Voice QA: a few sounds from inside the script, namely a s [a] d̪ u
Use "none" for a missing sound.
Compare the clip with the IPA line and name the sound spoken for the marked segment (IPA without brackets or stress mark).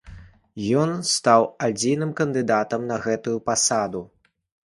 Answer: a